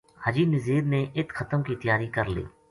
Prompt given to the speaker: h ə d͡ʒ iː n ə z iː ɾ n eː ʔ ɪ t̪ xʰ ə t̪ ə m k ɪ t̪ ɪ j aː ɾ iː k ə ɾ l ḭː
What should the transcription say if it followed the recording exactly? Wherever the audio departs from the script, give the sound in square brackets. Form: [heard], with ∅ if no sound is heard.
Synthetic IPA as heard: h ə d͡ʒ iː n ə z iː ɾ n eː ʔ ɪ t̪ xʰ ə t̪ ə m k [i] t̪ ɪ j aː ɾ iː k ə ɾ l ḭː